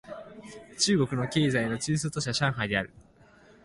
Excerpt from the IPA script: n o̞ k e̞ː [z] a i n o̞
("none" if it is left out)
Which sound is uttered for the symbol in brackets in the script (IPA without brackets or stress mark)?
z